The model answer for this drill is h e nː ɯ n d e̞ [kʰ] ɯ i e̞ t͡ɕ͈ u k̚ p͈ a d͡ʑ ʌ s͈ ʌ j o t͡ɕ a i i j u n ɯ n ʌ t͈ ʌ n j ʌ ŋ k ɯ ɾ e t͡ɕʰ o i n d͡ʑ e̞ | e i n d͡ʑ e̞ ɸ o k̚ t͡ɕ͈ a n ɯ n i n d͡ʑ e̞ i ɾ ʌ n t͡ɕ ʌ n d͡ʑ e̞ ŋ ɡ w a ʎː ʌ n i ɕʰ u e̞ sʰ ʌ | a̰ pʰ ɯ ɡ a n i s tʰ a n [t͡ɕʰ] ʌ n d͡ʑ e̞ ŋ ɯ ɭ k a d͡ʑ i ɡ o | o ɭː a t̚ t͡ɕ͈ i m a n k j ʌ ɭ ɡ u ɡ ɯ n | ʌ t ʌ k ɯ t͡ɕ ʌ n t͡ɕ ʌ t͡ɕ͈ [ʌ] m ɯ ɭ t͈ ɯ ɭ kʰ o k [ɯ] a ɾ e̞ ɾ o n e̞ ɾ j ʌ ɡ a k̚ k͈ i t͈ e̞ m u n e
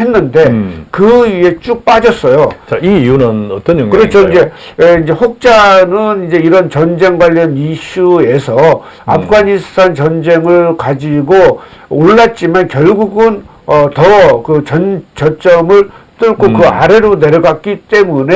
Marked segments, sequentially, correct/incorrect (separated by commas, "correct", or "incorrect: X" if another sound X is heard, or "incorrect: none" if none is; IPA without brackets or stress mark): incorrect: k, incorrect: t͡ɕ, correct, correct